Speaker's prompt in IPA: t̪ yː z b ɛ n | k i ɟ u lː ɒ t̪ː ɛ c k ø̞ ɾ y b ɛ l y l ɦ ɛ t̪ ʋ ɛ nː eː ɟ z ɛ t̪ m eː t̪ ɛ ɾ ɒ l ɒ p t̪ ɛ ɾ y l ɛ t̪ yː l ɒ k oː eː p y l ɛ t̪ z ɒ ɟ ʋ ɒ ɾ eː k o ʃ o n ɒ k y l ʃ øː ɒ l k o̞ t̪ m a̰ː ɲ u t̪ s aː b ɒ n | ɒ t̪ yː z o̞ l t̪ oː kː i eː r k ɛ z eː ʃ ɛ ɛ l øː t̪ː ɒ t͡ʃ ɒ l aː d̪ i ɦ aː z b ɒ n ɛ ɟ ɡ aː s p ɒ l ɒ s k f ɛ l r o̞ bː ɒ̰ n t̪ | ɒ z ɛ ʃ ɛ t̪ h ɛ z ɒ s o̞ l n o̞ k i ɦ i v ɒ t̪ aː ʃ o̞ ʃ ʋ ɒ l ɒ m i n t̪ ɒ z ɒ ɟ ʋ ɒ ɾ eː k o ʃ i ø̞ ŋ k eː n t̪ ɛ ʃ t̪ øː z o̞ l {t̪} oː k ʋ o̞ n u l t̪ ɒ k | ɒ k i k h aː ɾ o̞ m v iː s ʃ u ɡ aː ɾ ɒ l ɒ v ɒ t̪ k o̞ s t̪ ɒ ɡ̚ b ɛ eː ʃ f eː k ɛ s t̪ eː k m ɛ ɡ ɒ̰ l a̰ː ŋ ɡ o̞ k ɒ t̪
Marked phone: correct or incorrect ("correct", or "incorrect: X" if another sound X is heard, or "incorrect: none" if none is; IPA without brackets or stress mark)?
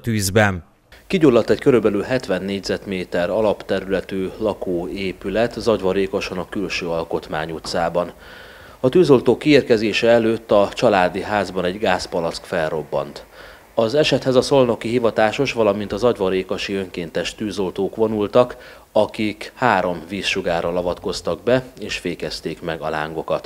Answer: correct